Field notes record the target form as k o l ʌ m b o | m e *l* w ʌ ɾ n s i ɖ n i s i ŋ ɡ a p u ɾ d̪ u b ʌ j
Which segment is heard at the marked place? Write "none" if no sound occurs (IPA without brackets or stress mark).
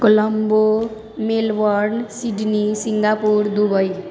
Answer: l